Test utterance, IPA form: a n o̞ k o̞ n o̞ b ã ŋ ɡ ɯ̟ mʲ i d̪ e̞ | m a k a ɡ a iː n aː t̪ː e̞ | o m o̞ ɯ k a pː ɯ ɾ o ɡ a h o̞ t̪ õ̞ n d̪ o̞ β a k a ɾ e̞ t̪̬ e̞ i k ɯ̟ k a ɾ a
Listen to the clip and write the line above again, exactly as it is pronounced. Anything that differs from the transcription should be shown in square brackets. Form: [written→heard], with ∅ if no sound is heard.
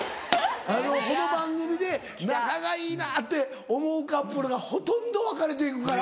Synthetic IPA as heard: a n o̞ k o̞ n o̞ b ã ŋ ɡ ɯ̟ mʲ i d̪ e̞ | [m→n] a k a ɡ a iː n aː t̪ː e̞ | o m o̞ ɯ k a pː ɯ ɾ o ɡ a h o̞ t̪ õ̞ n d̪ o̞ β a k a ɾ e̞ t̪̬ e̞ i k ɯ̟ k a ɾ a

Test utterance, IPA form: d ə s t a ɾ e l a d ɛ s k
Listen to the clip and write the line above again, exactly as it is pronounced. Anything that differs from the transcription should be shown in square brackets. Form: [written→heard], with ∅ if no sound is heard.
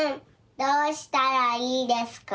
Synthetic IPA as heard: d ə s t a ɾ [e→a] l [a→i] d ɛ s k

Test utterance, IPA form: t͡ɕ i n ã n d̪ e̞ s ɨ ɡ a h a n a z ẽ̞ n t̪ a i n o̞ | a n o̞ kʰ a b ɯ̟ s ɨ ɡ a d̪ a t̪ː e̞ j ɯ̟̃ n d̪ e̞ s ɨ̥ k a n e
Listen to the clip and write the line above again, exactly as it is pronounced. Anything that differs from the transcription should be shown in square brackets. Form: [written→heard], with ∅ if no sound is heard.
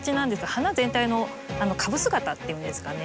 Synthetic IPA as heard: t͡ɕ i n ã n d̪ e̞ s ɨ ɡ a h a n a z ẽ̞ n t̪ a i n o̞ | a n o̞ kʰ a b ɯ̟ s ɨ ɡ a [d̪→t̪] a t̪ː e̞ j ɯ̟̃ n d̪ e̞ s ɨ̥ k a n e

